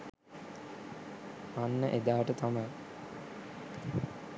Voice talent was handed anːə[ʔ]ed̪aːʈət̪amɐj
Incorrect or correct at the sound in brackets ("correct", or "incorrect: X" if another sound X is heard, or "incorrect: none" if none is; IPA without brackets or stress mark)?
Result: correct